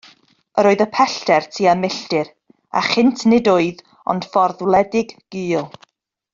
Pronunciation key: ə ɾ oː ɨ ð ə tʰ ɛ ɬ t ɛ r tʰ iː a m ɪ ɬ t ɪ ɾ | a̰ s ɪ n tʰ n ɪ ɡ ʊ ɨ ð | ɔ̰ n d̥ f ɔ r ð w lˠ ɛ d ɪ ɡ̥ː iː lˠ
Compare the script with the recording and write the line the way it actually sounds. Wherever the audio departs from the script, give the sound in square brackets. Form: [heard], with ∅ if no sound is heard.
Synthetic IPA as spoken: ə ɾ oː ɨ ð ə [pʰ] ɛ ɬ t ɛ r tʰ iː a m ɪ ɬ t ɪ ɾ | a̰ [χ] ɪ n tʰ n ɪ [d] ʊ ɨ ð | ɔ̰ n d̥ f ɔ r ð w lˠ ɛ d ɪ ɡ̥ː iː lˠ